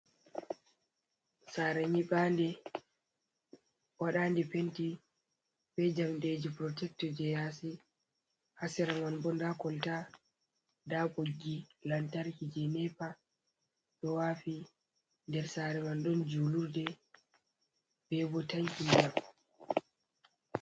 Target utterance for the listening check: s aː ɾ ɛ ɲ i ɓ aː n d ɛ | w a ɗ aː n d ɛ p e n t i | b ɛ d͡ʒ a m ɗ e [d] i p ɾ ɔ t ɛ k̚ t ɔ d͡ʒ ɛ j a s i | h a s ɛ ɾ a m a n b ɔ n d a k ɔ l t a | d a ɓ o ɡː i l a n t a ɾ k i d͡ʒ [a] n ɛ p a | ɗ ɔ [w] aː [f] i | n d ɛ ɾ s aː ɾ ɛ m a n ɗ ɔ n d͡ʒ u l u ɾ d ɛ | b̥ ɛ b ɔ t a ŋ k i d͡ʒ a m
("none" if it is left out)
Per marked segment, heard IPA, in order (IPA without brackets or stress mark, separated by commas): d͡ʒ, ɛ, w, f